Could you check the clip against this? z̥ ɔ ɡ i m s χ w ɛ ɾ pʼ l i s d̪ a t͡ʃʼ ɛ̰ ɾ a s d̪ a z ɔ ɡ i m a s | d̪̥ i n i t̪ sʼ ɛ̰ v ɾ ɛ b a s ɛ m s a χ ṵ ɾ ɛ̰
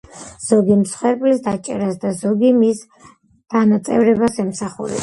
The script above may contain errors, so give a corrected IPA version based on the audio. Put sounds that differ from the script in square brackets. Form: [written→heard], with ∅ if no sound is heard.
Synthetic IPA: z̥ ɔ ɡ i m s χ w ɛ ɾ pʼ l i s d̪ a t͡ʃʼ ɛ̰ ɾ a s d̪ a z ɔ ɡ i m [a→i] s | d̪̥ [i→a] n [i→a] t̪ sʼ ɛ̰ v ɾ ɛ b a s ɛ m s a χ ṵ ɾ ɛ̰